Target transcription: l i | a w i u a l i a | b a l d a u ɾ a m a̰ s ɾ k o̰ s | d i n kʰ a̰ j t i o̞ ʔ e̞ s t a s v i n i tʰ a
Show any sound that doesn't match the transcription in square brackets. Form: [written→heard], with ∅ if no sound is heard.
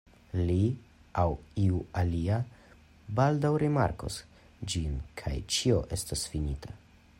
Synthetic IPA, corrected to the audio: l i | a w i u a l i a | b a l d a [u→w] ɾ [a→i] m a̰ [s→∅] ɾ k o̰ s | [d→d͡ʒ] i n kʰ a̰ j [t→t͡ʃ] i o̞ ʔ e̞ s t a s [v→f] i n i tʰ a